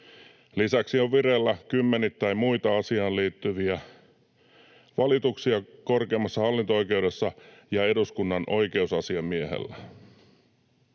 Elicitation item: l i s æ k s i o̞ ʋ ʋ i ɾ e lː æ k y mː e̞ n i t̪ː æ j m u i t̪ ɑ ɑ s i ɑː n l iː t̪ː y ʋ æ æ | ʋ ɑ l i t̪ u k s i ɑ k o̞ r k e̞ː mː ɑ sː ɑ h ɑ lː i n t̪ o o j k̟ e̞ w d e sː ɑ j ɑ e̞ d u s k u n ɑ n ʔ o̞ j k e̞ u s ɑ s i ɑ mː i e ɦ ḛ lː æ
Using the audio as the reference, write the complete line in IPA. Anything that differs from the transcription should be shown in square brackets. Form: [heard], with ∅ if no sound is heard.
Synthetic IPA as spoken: l i s æ k s i o̞ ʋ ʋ i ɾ e lː æ k y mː e̞ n i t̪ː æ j m u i t̪ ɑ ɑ s i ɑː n l iː t̪ː y ʋ [i] æ | ʋ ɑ l i t̪ u k s i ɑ k o̞ r k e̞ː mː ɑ sː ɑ h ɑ lː i n t̪ o o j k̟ e̞ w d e sː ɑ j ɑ e̞ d u s k u [nː] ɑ n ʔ o̞ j k e̞ u s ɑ s i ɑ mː i e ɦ ḛ lː æ